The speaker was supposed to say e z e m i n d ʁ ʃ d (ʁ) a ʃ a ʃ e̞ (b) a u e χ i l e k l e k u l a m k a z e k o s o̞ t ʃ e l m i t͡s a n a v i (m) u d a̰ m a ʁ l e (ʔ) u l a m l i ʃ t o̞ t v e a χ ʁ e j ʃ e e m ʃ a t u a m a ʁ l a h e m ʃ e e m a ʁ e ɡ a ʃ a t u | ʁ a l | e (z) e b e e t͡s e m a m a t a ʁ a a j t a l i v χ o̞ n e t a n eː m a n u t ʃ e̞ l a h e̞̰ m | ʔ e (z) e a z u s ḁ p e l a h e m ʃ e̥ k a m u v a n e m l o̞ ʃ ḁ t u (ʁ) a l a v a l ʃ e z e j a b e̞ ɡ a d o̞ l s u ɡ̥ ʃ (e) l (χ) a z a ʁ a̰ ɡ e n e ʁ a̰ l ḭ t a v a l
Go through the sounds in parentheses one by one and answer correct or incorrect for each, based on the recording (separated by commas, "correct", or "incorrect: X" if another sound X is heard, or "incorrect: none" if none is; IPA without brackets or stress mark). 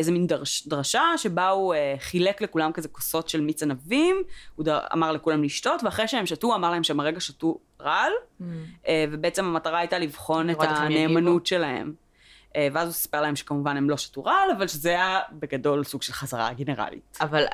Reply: correct, correct, correct, incorrect: k, incorrect: v, incorrect: v, correct, correct, correct